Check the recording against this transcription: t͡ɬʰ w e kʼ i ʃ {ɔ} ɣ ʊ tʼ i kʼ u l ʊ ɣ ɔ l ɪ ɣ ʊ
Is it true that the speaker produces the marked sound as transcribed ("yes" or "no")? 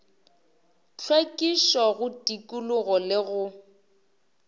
yes